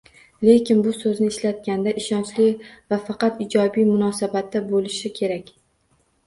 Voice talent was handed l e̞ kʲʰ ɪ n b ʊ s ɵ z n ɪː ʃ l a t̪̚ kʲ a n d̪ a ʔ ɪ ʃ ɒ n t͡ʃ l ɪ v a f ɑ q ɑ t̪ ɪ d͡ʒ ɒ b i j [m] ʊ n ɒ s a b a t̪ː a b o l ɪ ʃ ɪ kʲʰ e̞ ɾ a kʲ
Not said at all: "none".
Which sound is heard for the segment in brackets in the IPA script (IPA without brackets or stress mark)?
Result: m